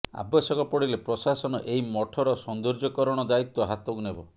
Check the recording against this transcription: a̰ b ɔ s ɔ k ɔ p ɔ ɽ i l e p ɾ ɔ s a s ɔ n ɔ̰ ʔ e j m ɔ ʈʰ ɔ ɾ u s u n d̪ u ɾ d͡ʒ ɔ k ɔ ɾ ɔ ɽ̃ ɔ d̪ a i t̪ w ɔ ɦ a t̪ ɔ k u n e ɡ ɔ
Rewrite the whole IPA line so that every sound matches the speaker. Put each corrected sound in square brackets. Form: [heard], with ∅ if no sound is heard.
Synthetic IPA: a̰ b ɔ s ɔ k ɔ p ɔ ɽ i l e p ɾ ɔ s a s ɔ n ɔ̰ ʔ e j m ɔ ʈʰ ɔ ɾ [ɔ] s [ɔ] n d̪ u ɾ d͡ʒ ɔ k ɔ ɾ ɔ ɽ̃ ɔ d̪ a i t̪ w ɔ ɦ a t̪ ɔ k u n e [b] ɔ